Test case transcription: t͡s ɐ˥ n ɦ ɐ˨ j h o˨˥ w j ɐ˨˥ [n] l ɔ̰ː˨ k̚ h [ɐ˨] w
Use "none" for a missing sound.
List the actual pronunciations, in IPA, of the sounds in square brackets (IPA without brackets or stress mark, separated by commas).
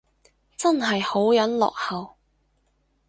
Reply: n, ɐ˨